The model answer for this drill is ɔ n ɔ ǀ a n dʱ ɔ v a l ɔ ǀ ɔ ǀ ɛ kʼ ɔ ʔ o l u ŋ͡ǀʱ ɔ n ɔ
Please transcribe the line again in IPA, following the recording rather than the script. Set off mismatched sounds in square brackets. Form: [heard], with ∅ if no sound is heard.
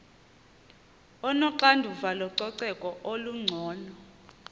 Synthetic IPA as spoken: ɔ n ɔ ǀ a n dʱ [u] v a l ɔ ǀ ɔ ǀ ɛ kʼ ɔ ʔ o l u ŋ͡ǀʱ [ɔː] n ɔ